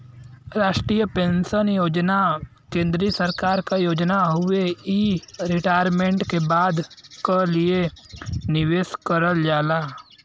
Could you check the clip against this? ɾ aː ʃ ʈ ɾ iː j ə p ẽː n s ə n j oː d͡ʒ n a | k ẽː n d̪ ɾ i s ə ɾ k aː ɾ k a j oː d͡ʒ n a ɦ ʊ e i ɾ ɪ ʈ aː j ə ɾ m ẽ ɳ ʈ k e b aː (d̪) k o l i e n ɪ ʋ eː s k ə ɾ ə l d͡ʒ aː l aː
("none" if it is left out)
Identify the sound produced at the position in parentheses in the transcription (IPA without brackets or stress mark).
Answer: d̪